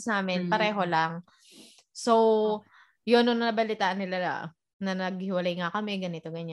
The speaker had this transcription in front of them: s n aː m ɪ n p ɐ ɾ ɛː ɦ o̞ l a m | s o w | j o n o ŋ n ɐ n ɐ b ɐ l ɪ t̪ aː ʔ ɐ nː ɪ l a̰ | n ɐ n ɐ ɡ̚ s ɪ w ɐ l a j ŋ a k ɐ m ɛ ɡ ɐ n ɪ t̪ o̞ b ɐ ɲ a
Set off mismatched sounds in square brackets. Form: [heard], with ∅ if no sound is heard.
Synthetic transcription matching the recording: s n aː m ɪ n p ɐ ɾ ɛː ɦ o̞ l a [ŋ] | s o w | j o n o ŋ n ɐ n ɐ b ɐ l ɪ t̪ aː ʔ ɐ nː ɪ l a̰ | n ɐ n ɐ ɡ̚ [h] ɪ w ɐ l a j ŋ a k ɐ m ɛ ɡ ɐ n ɪ t̪ o̞ [ɡ] ɐ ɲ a